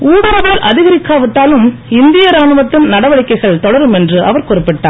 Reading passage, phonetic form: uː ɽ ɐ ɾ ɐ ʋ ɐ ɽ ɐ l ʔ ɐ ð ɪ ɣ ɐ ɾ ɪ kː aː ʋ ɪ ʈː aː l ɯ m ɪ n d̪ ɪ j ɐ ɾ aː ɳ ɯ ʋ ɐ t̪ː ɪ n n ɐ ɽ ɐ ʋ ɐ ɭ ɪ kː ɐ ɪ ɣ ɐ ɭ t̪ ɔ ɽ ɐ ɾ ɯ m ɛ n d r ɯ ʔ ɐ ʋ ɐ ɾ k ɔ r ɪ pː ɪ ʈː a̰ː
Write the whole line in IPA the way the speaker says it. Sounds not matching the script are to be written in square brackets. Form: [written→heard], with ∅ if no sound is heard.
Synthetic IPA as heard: uː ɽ ɐ ɾ ɐ ʋ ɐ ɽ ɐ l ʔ ɐ ð ɪ ɣ ɐ ɾ ɪ kː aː ʋ ɪ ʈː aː l ɯ m ɪ n d̪ ɪ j ɐ ɾ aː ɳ ɯ ʋ ɐ t̪ː ɪ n n ɐ ɽ ɐ ʋ ɐ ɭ ɪ kː ɐ ɪ ɣ ɐ ɭ t̪ ɔ ɽ ɐ ɾ ɯ m ɛ n d r ɯ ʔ ɐ ʋ ɐ ɾ k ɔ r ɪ pː ɪ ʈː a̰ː